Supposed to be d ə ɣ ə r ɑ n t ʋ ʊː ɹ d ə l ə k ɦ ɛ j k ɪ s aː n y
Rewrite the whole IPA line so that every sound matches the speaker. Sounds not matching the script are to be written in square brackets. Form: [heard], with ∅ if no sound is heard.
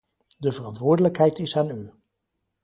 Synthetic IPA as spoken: d ə [v] ə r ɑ n t ʋ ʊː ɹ d ə l ə k ɦ ɛ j [t] ɪ s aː n y